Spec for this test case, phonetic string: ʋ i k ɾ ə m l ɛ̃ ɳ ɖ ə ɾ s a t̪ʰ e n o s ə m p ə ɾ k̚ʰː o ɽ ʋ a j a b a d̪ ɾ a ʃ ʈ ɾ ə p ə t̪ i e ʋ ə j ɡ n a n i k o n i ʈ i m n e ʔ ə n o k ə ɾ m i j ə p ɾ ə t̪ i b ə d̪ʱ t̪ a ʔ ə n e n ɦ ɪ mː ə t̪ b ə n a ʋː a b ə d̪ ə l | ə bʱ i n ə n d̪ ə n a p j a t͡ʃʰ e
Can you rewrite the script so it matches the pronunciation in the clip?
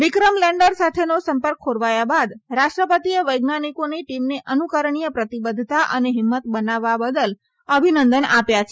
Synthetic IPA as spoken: ʋ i k ɾ ə m l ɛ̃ ɳ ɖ ə ɾ s a t̪ʰ e n o s ə m p ə ɾ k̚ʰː o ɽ ʋ a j a b a d̪ ɾ a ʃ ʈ ɾ ə p ə t̪ i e ʋ ə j ɡ n a n i k o n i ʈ i m n e ʔ ə n u k ə ɾ ɳ i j ə p ɾ ə t̪ i b ə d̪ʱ t̪ a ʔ ə n e ɦ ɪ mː ə t̪ b ə n a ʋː a b ə d̪ ə l | ə bʱ i n ə n d̪ ə n a p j a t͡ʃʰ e